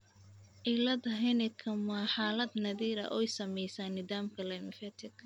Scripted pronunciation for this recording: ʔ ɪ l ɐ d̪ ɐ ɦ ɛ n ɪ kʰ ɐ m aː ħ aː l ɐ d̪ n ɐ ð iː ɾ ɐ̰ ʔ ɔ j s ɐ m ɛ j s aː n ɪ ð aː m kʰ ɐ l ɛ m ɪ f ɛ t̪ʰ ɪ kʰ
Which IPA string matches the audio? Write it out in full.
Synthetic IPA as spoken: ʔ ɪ l ɐ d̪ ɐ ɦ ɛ n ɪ kʰ ɐ m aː ħ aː l ɐ d̪ n ɐ ð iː ɾ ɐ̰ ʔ ɔ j s ɐ m ɛ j s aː n ɪ ð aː m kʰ ɐ l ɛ m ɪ f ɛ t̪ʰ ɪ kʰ

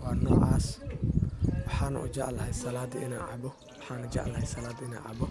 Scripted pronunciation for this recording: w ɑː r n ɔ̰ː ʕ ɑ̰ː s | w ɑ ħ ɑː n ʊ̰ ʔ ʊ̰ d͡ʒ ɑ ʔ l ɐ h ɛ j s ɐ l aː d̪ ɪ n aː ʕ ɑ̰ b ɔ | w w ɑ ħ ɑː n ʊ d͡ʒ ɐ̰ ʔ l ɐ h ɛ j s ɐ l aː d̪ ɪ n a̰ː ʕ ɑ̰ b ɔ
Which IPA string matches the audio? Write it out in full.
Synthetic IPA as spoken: w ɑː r n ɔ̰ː ʕ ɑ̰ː s | w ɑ ħ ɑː n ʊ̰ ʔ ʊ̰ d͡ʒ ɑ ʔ l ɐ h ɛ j s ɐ l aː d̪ ɪ n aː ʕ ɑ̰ b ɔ | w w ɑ ħ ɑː n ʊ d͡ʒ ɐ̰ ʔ l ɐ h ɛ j s ɐ l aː d̪ ɪ n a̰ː ʕ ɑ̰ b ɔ

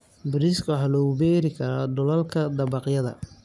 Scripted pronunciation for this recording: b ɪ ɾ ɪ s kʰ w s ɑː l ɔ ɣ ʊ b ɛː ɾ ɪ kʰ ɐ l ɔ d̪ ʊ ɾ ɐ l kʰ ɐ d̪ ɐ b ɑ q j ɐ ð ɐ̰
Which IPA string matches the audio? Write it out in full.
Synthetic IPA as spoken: b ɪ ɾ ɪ s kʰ w ħ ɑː l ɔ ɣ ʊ b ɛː ɾ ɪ kʰ ɐ ɾ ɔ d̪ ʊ l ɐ l kʰ ɐ d̪ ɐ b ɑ q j ɐ ð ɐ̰

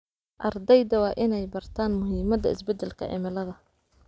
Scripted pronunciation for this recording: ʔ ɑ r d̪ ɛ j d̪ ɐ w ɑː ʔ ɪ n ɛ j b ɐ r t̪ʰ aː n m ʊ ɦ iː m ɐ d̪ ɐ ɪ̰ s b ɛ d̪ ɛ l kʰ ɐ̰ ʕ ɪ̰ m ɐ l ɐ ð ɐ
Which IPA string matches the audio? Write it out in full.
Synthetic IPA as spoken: ʔ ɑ r d̪ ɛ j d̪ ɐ w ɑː ʔ ɪ n ɛ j b ɐ r t̪ʰ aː n m ʊ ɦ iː m ɐ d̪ ɐ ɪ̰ s b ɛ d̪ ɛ l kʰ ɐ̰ ʕ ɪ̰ m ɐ l ɐ ð ɐ

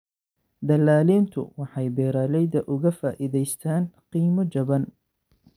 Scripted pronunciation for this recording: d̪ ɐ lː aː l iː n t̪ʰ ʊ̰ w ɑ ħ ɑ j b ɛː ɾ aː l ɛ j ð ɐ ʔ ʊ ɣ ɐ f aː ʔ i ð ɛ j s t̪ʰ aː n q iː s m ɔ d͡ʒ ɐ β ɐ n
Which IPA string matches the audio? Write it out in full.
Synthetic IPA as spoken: d̪ ɐ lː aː l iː n t̪ʰ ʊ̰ w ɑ ħ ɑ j b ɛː ɾ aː l ɛ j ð ɐ ʔ ʊ ɣ ɐ f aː ʔ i ð ɛ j s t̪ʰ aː n q iː m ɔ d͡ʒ ɐ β ɐ n

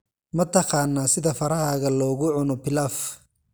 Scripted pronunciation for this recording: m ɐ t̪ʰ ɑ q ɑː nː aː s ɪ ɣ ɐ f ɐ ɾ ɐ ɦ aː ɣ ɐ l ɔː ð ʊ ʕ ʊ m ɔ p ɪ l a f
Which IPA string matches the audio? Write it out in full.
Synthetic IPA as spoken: m ɐ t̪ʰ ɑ q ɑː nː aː s ɪ ð ɐ f ɐ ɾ ɐ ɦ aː ɣ ɐ l ɔː ɣ ʊ ʕ ʊ n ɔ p ɪ l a f

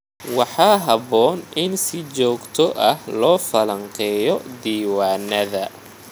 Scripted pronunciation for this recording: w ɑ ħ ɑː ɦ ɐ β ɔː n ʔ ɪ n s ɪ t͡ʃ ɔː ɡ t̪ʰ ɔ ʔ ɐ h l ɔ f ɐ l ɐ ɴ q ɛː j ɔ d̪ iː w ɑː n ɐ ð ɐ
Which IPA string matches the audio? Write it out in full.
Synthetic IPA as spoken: w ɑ ħ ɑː ɦ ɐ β ɔː n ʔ ɪ n s ɪ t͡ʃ ɔː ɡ t̪ʰ ɔ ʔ ɐ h l ɔː f ɐ l ɐ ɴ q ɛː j ɔ d̪ iː w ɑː n ɐ ð ɐ

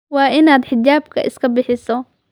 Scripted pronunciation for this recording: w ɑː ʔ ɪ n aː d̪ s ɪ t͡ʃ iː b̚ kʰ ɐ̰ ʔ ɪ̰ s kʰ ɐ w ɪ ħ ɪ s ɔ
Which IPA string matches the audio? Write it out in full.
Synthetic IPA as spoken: w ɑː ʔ ɪ n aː d̪ ħ ɪ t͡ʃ aː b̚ kʰ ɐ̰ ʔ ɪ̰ s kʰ ɐ b ɪ ħ ɪ s ɔ

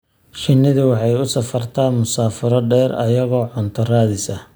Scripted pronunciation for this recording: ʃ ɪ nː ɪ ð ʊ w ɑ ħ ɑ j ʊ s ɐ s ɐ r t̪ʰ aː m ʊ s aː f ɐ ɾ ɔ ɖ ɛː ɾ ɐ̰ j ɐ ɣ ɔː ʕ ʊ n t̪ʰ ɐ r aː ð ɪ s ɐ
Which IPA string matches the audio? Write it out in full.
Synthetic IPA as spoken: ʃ ɪ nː ɪ ð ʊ w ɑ ħ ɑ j ʊ s ɐ f ɐ r t̪ʰ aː m ʊ s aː f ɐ ɾ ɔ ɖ ɛː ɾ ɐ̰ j ɐ ɣ ɔː ʕ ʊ n t̪ʰ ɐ r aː ð ɪ s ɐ

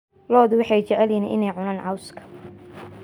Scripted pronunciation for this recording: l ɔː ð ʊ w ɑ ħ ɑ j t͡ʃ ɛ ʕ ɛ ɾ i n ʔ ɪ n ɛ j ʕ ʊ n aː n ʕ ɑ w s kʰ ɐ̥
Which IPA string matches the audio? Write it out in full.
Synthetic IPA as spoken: l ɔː ð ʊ w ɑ ħ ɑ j t͡ʃ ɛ ʕ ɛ l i n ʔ ɪ n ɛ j ʕ ʊ n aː n ʕ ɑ w s kʰ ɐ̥

